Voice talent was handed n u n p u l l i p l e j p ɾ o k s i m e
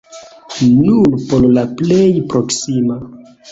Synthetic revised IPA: n u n p o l l a p l e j p ɾ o k s i m a